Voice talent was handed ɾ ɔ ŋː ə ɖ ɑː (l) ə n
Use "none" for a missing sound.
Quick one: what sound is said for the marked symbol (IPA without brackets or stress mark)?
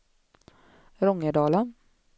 l